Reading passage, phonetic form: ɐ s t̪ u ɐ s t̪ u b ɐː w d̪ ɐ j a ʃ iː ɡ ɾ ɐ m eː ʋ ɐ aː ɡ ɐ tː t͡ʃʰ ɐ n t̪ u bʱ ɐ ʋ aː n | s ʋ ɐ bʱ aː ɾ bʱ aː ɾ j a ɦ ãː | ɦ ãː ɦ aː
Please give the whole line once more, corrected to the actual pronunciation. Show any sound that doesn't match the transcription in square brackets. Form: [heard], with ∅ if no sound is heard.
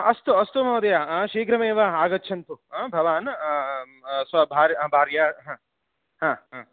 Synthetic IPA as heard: ɐ s t̪ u ɐ s t̪ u [m] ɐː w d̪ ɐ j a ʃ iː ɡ ɾ ɐ m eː ʋ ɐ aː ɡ ɐ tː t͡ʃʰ ɐ n t̪ u bʱ ɐ ʋ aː n | s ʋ ɐ bʱ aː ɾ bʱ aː ɾ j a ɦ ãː | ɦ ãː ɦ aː